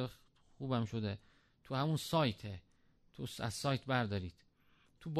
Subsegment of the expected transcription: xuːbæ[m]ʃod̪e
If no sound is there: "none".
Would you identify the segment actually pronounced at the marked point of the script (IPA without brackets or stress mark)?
m